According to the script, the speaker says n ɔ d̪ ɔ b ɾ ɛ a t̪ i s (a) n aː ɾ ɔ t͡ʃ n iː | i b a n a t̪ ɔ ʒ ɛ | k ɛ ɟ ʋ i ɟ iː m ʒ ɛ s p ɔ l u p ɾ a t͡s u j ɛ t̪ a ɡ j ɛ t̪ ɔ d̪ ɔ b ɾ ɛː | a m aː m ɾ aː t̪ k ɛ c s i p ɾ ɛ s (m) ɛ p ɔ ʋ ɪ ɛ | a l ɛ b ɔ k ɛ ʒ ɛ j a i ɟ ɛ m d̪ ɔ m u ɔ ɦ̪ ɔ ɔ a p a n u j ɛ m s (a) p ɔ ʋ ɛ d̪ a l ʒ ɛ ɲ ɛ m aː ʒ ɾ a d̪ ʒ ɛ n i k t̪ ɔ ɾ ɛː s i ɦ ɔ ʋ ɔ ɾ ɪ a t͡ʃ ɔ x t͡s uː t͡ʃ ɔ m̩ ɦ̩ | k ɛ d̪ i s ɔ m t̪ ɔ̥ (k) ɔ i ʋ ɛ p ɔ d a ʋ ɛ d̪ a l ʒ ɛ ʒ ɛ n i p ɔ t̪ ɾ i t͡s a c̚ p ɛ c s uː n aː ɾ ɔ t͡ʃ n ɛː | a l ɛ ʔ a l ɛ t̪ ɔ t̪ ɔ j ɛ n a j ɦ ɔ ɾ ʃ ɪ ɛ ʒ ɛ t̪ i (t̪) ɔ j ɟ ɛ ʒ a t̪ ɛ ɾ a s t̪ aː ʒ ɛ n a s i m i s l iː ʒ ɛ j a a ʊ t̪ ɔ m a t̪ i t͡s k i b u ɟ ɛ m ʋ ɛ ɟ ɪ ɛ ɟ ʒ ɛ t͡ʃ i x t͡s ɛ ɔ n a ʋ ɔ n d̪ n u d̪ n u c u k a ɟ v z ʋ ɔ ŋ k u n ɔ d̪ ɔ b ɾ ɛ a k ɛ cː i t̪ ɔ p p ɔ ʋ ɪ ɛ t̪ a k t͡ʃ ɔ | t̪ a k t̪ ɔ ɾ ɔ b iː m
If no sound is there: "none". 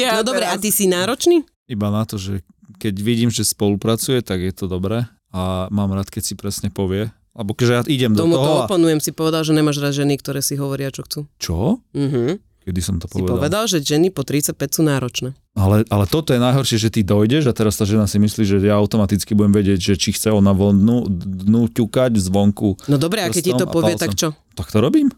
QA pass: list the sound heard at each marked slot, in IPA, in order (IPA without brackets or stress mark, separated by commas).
i, ɲ, i, p, d̪